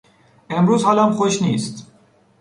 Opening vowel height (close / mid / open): mid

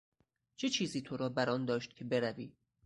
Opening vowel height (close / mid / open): mid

